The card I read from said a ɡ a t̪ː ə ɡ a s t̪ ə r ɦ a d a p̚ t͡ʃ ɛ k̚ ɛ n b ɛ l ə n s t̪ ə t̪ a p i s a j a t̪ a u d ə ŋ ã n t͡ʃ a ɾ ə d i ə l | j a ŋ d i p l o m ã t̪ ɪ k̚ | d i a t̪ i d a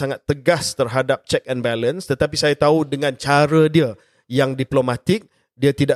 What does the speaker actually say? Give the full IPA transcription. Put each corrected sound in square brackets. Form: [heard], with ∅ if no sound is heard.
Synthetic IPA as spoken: a [ŋ] a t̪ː ə ɡ a s t̪ ə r ɦ a d a p̚ t͡ʃ ɛ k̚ ɛ n b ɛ l ə n s t̪ ə t̪ a p i s a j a t̪ a u d ə ŋ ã n t͡ʃ a ɾ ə d i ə [∅] | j a ŋ d i p l o m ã t̪ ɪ k̚ | d i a t̪ i d a